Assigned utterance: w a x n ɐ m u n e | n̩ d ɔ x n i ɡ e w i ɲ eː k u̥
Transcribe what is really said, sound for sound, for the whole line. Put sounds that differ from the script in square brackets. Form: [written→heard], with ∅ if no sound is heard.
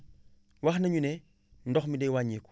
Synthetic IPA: w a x n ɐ [m→ɲ] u n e | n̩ d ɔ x [n→m] i [ɡ→d] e w [i→a] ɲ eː k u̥